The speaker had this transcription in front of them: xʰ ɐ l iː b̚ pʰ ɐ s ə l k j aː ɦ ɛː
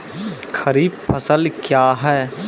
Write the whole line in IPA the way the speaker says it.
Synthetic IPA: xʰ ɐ ɾ iː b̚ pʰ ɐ s ə l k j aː ɦ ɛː